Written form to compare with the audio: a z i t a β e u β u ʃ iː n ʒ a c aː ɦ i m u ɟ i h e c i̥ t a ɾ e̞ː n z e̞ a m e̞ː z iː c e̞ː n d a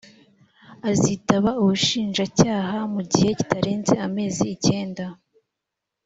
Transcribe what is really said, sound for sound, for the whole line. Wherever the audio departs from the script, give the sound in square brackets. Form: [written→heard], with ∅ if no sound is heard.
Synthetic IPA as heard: a z i t a β [e→a] u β u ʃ iː n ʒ a c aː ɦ [i→a] m u ɟ i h e c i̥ t a ɾ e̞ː n z e̞ a m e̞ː z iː c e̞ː n d a